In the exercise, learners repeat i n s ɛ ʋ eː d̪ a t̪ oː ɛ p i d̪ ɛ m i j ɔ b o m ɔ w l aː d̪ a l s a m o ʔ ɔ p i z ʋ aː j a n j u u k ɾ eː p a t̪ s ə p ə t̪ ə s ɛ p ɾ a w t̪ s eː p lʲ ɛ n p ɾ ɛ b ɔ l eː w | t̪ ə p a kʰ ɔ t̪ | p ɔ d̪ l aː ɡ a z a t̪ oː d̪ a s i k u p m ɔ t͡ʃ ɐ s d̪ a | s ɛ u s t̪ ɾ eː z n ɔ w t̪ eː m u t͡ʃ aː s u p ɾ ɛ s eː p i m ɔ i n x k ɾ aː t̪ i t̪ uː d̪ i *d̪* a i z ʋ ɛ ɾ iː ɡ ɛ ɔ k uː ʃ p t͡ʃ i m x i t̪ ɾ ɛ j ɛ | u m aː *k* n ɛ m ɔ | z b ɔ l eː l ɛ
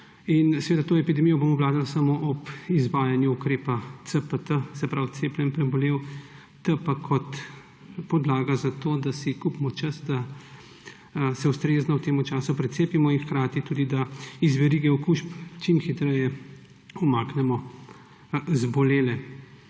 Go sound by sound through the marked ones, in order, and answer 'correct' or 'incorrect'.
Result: correct, correct

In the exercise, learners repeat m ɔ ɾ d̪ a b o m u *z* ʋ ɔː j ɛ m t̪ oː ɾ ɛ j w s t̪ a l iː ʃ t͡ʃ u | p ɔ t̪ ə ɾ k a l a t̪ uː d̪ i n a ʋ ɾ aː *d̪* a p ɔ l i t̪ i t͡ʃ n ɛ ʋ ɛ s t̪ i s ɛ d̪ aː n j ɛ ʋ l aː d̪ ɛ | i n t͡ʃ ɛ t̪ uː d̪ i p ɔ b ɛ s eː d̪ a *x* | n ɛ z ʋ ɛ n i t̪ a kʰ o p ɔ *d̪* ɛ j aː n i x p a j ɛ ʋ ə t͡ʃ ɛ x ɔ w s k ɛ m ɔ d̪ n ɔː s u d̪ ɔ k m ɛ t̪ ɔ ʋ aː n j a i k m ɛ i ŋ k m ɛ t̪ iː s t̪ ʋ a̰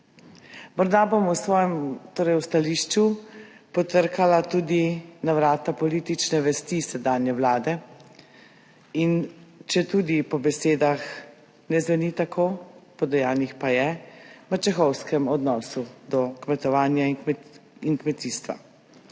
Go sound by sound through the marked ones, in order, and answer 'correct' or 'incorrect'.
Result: incorrect: s, incorrect: t̪, correct, correct

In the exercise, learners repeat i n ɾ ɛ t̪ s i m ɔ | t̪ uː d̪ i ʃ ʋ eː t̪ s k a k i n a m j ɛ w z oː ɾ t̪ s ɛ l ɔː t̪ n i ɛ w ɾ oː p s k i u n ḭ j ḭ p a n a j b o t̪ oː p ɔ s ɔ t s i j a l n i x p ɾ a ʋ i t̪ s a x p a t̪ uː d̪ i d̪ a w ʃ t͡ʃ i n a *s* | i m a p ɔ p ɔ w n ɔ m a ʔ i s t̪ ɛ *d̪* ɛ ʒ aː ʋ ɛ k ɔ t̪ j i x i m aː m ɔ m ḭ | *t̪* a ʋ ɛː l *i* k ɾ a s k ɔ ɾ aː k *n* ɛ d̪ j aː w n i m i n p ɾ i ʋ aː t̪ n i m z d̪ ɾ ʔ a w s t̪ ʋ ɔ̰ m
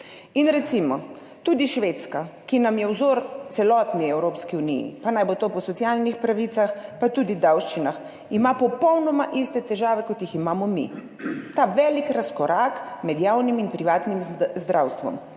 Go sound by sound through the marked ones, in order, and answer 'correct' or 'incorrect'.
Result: incorrect: x, incorrect: t̪, correct, correct, incorrect: m

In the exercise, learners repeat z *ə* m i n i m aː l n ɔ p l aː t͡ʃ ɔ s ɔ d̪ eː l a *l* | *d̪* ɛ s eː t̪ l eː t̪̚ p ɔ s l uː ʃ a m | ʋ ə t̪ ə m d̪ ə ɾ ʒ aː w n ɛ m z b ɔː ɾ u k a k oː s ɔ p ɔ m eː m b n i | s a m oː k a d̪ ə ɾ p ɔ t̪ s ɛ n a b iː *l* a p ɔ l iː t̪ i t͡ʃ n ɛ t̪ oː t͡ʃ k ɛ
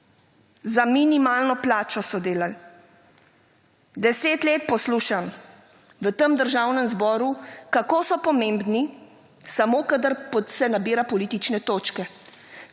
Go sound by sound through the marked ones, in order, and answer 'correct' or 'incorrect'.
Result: incorrect: a, correct, correct, incorrect: ɾ

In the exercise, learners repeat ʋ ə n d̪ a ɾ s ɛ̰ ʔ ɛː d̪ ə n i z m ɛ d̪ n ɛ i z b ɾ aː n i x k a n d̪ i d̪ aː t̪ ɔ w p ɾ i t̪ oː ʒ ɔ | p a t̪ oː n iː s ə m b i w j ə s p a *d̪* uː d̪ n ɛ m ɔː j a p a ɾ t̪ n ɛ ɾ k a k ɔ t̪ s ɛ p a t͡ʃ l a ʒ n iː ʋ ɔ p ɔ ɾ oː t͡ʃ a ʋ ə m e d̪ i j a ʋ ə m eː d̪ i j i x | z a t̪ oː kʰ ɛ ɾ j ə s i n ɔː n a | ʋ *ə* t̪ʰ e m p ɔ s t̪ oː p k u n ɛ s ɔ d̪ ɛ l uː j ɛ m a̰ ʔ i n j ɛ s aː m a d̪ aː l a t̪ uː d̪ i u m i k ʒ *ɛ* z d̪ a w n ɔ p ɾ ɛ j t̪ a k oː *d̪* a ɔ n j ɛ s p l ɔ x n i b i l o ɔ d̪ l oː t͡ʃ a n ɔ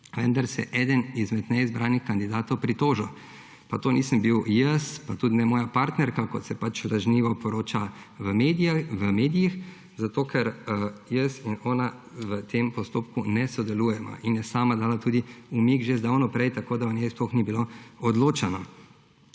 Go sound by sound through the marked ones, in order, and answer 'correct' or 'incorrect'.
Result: incorrect: t̪, correct, incorrect: e, correct

